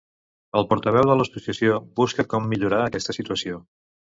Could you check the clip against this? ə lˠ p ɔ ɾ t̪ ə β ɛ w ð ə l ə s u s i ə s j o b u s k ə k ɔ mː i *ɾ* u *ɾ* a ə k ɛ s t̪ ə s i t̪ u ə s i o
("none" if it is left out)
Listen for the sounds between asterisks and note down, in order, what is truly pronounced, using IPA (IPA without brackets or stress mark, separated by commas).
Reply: ʎ, ɾ